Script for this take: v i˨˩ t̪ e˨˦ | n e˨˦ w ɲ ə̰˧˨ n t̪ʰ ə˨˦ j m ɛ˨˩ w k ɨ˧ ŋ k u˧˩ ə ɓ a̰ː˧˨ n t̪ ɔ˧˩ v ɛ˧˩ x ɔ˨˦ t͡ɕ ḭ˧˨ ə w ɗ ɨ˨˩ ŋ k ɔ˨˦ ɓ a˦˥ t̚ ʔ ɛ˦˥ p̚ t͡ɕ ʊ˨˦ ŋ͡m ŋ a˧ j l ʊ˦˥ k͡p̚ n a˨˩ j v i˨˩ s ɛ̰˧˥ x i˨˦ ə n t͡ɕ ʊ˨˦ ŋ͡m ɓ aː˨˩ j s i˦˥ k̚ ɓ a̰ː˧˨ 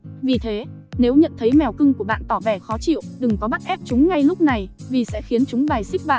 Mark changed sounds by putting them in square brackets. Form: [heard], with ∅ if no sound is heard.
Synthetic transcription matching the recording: v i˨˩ [t̪ʰ] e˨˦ | n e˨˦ w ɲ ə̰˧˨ n t̪ʰ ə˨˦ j m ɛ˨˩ w k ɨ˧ ŋ k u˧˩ ə ɓ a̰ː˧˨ n t̪ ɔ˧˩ v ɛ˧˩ x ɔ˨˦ t͡ɕ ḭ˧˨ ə w ɗ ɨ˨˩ ŋ k ɔ˨˦ ɓ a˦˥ t̚ ʔ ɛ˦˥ p̚ t͡ɕ ʊ˨˦ ŋ͡m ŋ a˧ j l ʊ˦˥ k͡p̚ n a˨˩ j v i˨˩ s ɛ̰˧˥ x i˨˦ ə n t͡ɕ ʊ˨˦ ŋ͡m ɓ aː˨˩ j s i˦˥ k̚ ɓ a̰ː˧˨